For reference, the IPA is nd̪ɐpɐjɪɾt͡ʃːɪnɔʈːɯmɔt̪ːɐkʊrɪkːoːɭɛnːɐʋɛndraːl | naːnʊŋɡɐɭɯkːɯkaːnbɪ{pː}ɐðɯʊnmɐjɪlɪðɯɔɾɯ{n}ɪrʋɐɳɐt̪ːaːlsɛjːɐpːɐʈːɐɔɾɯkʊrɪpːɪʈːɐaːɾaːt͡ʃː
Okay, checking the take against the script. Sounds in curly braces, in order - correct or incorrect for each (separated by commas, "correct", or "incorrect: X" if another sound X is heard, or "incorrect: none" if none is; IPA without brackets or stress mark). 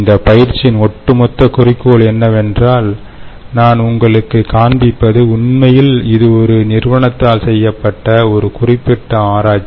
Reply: correct, correct